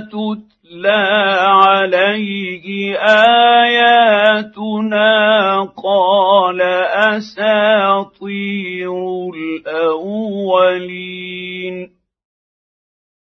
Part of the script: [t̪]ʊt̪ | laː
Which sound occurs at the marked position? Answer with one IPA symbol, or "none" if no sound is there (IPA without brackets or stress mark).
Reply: t̪